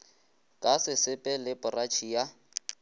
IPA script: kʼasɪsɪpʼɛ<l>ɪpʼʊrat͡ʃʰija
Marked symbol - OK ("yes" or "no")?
yes